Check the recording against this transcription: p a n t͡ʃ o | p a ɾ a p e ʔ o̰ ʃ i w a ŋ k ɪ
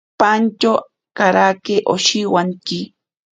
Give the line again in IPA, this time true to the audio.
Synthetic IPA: p a n t͡ʃ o | k a ɾ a k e ʔ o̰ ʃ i w a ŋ k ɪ